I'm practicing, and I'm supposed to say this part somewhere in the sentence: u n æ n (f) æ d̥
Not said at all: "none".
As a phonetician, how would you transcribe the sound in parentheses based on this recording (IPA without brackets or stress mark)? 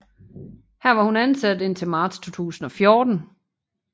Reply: s